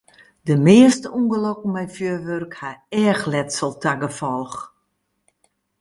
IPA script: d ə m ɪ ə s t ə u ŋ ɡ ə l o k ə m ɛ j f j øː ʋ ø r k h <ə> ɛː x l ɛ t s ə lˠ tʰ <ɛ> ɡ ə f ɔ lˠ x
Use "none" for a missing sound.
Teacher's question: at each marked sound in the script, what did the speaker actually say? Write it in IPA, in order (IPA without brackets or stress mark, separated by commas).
a, a